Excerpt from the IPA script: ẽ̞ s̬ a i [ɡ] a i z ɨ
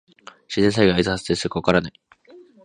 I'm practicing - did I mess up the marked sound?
no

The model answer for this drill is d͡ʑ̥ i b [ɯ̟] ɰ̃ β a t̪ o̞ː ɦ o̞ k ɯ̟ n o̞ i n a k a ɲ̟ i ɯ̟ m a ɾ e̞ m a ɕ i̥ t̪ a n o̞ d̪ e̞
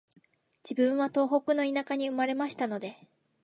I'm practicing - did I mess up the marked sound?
yes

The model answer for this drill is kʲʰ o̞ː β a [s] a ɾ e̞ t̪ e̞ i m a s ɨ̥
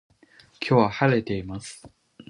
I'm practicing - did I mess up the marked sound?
yes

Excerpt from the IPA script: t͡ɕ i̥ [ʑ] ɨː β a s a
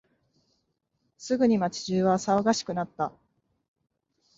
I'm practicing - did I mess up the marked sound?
no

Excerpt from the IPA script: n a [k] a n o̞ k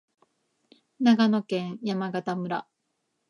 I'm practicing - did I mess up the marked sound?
yes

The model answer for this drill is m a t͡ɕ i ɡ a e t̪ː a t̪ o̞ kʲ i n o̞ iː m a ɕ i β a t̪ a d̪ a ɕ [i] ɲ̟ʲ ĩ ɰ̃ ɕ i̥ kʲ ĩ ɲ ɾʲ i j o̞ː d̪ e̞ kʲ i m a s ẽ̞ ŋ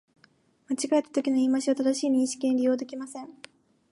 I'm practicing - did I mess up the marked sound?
yes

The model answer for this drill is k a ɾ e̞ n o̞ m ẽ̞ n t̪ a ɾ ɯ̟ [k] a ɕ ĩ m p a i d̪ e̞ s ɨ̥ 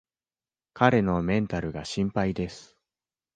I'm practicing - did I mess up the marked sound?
yes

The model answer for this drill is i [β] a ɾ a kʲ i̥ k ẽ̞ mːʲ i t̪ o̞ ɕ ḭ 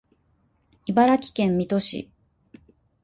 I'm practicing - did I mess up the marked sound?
yes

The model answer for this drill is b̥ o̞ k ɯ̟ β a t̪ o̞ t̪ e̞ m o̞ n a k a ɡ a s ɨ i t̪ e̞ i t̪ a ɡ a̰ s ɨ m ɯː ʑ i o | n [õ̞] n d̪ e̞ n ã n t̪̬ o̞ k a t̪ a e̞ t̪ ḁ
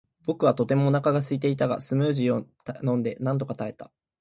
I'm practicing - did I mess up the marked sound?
no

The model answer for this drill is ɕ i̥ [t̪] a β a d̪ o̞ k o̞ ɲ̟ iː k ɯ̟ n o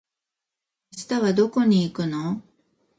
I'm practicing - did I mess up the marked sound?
no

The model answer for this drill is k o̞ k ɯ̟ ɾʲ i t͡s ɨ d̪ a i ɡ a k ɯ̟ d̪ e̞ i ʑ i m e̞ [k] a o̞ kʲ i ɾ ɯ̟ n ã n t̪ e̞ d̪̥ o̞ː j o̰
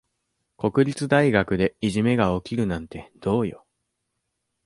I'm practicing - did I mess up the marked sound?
yes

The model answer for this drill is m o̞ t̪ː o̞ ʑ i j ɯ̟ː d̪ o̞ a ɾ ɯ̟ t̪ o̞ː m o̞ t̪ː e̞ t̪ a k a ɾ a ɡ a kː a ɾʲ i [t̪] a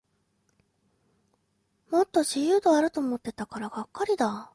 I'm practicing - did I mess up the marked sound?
yes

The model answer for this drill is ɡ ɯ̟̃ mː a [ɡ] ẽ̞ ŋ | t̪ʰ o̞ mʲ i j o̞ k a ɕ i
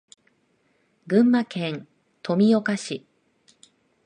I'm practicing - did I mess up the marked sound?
yes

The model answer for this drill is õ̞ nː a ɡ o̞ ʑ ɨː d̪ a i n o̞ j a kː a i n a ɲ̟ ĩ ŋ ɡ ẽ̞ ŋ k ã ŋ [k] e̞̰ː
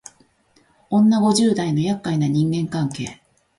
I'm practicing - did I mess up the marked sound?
no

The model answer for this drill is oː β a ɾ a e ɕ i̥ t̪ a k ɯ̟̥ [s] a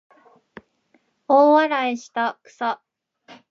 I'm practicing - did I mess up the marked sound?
no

